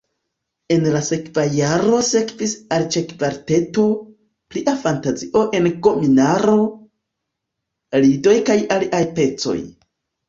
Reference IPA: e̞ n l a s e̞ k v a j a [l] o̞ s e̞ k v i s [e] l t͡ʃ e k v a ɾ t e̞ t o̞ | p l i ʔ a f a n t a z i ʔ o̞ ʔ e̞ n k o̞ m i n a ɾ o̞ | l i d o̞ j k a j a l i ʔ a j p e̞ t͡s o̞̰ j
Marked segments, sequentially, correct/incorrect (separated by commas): incorrect, incorrect